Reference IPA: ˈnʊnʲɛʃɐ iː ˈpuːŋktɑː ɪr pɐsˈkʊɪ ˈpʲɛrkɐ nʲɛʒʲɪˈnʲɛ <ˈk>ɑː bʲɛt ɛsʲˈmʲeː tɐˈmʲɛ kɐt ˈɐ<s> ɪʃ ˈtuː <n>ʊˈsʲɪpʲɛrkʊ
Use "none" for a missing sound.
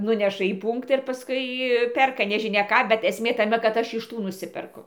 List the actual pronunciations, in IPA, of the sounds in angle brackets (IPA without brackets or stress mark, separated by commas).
k, ʃ, n